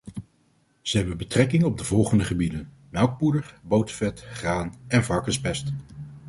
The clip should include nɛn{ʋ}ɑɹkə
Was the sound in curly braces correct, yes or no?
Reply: no